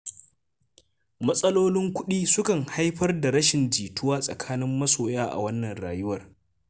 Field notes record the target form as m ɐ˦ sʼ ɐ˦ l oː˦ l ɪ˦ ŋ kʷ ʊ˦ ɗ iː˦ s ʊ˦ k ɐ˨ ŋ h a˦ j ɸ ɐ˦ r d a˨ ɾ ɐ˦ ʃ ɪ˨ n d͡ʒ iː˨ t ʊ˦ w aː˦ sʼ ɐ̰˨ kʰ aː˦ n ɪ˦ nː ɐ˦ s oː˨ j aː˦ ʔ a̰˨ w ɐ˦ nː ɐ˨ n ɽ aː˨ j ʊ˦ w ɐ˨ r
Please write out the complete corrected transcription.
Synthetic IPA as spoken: m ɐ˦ sʼ ɐ˦ l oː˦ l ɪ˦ ŋ kʷ ʊ˦ ɗ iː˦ s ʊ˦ k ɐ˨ ŋ h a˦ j ɸ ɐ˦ r d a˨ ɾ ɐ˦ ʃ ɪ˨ n d͡ʒ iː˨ t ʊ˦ w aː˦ sʼ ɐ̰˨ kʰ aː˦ n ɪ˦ mː ɐ˦ s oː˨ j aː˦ ʔ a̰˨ w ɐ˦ nː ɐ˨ n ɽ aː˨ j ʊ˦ w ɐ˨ r

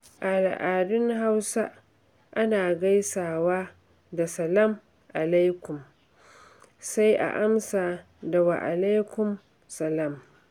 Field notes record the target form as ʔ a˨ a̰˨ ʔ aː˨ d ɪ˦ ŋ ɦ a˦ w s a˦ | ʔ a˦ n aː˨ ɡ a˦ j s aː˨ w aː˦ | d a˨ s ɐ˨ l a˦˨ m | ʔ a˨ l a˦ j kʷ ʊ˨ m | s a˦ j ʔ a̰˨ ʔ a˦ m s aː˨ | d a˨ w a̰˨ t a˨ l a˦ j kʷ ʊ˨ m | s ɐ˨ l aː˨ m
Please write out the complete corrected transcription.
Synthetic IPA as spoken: ʔ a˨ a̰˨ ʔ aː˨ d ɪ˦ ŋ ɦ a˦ w s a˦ | ʔ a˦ n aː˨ ɡ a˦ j s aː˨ w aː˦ | d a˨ s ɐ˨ l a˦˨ m | ʔ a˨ l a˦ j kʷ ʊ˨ m | s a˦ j ʔ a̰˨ ʔ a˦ m s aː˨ | d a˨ w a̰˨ ʔ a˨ l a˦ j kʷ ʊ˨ m | s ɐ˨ l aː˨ m

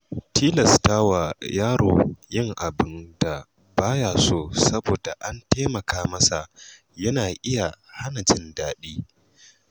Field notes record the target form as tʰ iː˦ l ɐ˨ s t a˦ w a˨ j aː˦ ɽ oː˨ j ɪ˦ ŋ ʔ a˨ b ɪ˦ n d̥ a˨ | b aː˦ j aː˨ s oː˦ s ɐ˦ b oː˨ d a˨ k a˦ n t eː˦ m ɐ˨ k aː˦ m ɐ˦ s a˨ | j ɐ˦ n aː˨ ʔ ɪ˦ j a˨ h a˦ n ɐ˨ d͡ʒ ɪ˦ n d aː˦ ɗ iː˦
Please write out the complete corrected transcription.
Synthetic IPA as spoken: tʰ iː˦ l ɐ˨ s t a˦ w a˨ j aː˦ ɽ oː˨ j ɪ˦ ŋ ʔ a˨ b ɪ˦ n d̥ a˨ | b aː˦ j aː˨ s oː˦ s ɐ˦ b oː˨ d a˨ ʔ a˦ n t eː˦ m ɐ˨ k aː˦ m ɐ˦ s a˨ | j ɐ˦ n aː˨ ʔ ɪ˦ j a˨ h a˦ n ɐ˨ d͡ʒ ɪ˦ n d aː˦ ɗ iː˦

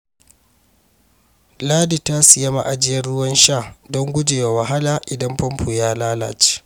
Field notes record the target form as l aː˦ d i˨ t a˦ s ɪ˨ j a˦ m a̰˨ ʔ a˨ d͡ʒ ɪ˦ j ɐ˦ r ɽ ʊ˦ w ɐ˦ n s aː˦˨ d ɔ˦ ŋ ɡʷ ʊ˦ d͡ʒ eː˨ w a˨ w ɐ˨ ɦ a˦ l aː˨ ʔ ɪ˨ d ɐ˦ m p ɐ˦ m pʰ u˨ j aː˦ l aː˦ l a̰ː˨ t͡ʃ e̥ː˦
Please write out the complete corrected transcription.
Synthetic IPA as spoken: l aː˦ d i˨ t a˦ s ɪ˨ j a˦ m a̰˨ ʔ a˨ d͡ʒ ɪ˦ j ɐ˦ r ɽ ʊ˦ w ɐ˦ n ʃ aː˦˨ d ɔ˦ ŋ ɡʷ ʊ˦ d͡ʒ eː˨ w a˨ w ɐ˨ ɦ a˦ l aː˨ ʔ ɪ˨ d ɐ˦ m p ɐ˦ m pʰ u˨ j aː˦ l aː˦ l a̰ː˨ t͡ʃ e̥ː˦

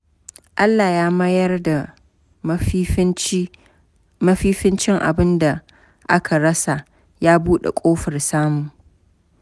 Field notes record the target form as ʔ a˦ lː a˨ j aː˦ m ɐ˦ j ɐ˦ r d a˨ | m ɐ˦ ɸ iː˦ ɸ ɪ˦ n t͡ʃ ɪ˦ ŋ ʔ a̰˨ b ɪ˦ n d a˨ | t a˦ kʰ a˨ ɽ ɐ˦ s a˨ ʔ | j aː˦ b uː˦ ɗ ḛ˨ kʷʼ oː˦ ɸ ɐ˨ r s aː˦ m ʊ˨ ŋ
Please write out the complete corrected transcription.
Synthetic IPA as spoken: ʔ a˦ lː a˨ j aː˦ m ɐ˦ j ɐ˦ r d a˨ | m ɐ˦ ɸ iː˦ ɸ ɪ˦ n t͡ʃ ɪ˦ ŋ ʔ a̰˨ b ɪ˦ n d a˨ | ʔ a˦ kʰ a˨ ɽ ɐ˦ s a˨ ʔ | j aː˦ b uː˦ ɗ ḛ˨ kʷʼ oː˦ ɸ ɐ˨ r s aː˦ m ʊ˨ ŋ

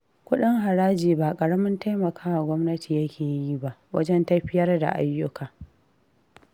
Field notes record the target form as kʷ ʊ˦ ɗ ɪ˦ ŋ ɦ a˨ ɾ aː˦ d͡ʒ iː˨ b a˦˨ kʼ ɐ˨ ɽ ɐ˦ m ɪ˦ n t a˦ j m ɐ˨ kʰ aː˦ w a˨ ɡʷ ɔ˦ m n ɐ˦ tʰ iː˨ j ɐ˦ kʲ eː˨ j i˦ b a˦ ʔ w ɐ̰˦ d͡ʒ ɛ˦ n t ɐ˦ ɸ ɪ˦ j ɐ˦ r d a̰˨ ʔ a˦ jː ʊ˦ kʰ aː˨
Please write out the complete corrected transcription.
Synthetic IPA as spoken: kʷ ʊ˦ ɗ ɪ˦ ŋ ɦ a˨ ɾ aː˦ d͡ʒ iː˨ b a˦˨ kʼ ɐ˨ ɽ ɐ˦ m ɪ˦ n t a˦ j m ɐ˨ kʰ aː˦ w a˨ ɡʷ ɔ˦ m n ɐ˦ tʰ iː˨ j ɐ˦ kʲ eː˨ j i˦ b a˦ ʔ w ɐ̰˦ d͡ʒ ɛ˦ n t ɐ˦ ɸ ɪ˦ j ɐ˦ r d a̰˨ ʔ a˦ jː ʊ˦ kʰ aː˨

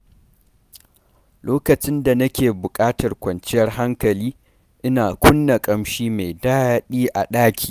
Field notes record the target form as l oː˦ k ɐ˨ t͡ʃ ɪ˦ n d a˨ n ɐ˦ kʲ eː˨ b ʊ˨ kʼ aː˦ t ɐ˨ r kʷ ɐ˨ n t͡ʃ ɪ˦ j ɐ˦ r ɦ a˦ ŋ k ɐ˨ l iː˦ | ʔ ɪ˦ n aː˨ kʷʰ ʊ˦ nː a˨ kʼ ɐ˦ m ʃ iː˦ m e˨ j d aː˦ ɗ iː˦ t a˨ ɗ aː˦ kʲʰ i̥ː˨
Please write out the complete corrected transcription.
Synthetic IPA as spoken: l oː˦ k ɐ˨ t͡ʃ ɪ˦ n d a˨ n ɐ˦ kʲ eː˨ b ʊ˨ kʼ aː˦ t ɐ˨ r kʷ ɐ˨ n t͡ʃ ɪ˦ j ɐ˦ r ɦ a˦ ŋ k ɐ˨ l iː˦ | ʔ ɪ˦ n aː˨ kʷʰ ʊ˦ nː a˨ kʼ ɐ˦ m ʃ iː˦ m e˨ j d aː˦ ɗ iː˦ ʔ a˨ ɗ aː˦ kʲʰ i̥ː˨

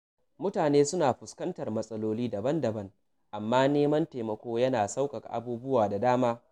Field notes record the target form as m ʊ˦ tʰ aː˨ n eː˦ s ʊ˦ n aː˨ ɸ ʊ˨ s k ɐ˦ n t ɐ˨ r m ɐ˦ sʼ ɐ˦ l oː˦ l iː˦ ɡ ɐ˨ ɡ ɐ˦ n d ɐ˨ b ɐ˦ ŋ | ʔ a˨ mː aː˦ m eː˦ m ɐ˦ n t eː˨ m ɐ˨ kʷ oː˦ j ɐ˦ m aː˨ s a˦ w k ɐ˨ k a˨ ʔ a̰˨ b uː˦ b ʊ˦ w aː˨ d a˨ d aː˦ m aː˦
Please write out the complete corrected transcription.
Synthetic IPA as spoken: m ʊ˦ t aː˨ n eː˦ s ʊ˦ n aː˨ ɸ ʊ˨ s k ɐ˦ n t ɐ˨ r m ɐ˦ sʼ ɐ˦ l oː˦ l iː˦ d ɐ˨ b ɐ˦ n d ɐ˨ b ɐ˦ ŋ | ʔ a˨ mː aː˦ n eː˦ m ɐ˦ n t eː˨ m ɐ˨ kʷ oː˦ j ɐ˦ n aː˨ s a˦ w k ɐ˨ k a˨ ʔ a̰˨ b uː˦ b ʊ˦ w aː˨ d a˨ d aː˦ m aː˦

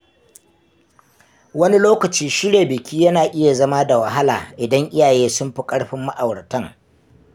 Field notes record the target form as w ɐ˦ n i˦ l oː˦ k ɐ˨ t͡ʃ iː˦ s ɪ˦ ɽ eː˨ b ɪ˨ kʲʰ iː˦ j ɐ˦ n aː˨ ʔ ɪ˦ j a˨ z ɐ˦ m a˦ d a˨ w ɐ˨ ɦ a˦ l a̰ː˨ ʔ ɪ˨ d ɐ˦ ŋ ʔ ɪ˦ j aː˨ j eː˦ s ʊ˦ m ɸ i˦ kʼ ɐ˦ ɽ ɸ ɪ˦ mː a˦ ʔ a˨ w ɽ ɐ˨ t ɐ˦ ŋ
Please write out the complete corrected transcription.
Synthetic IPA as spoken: w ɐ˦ n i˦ l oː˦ k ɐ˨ t͡ʃ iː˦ ʃ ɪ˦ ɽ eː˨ b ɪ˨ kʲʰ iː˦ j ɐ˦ n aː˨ ʔ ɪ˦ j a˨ z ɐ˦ m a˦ d a˨ w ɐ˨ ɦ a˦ l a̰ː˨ ʔ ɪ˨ d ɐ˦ ŋ ʔ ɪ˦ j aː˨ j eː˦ s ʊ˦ m ɸ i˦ kʼ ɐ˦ ɽ ɸ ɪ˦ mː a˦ ʔ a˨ w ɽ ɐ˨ t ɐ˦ ŋ

